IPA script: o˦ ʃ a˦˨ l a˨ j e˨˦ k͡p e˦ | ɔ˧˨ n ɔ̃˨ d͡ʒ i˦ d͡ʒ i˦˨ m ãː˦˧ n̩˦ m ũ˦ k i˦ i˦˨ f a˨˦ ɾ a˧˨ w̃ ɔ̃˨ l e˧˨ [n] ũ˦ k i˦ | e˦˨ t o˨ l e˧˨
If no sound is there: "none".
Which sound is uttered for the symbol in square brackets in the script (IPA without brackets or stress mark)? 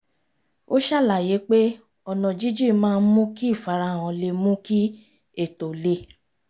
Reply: m